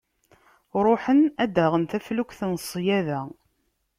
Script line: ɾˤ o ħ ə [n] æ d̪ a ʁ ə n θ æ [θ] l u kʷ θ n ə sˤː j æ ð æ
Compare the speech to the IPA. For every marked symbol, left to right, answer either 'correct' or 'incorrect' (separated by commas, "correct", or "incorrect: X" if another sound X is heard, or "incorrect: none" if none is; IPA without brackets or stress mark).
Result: correct, incorrect: f